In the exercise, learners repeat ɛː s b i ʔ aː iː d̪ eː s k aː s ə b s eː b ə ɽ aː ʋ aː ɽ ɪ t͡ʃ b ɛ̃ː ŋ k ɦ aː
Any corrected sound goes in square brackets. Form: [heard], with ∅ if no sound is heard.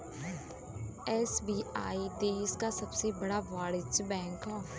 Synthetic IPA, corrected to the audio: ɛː s b [iː] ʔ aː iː d̪ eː s k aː s ə b s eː b ə ɽ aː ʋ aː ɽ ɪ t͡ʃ b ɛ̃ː ŋ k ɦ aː